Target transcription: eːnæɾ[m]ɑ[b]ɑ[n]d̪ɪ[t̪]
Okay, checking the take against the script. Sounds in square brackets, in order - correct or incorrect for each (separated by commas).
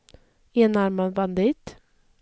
correct, correct, correct, correct